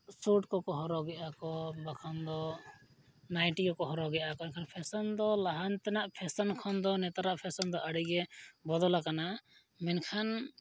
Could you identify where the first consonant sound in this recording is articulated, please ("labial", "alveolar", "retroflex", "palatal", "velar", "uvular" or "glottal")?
alveolar